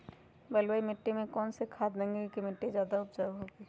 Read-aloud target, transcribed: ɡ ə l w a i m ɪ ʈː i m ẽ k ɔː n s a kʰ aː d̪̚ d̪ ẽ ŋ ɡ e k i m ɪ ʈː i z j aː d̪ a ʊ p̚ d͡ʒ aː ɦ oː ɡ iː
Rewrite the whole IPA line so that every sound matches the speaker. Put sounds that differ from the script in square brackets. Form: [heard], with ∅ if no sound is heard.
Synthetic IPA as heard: [b] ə l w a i m ɪ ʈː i m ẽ k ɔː n s [e] kʰ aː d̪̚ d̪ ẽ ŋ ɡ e k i m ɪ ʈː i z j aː d̪ a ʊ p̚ d͡ʒ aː ɦ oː ɡ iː